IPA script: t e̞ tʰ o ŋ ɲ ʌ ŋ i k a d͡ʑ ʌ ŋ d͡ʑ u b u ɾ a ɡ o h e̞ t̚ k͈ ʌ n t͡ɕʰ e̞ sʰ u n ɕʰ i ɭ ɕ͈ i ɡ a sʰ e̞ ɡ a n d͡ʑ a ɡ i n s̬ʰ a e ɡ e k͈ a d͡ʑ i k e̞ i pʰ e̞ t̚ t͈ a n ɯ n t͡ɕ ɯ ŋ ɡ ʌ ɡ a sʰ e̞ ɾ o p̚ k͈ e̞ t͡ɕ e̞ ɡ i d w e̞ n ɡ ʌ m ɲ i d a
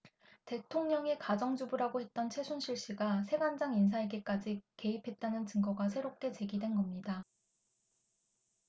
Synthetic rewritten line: t e̞ tʰ o ŋ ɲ ʌ ŋ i k a d͡ʑ ʌ ŋ d͡ʑ u b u ɾ a ɡ o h e̞ t̚ t͈ ʌ n t͡ɕʰ e̞ sʰ u n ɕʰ i ɭ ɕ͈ i ɡ a sʰ e̞ ɡ a n d͡ʑ a ŋ i n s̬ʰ a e ɡ e k͈ a d͡ʑ i k e̞ i pʰ e̞ t̚ t͈ a n ɯ n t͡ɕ ɯ ŋ ɡ ʌ ɡ a sʰ e̞ ɾ o p̚ k͈ e̞ t͡ɕ e̞ ɡ i d w e̞ n ɡ ʌ m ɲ i d a